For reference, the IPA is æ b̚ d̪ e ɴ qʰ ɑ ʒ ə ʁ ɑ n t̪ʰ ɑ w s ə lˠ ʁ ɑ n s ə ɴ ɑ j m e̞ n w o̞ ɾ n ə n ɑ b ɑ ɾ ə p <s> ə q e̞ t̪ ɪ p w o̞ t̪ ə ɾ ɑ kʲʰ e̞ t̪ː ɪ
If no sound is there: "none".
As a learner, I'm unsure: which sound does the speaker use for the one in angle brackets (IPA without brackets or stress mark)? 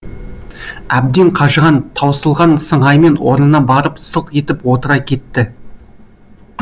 s